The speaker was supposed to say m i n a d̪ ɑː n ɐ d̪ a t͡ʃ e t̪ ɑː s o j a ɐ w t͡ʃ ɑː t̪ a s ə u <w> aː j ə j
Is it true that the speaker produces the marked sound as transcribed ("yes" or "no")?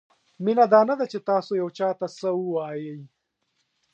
yes